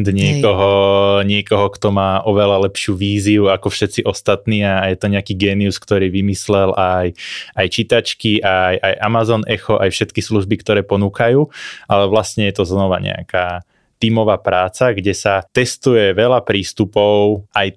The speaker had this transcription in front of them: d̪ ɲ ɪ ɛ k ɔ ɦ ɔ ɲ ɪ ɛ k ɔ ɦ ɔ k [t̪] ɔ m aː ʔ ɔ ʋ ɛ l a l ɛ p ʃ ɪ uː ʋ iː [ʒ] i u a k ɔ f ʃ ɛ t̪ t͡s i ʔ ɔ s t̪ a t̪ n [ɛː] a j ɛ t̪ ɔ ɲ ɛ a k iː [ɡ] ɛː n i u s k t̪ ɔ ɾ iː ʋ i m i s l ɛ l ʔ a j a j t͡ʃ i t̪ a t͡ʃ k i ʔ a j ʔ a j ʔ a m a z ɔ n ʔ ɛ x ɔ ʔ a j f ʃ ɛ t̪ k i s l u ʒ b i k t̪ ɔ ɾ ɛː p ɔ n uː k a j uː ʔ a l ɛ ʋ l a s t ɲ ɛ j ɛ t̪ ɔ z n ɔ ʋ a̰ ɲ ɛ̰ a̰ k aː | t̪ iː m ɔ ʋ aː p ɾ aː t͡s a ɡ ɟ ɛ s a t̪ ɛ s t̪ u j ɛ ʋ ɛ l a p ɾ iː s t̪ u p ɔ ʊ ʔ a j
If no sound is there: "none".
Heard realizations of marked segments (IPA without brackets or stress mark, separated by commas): t̪, z, iː, ɡ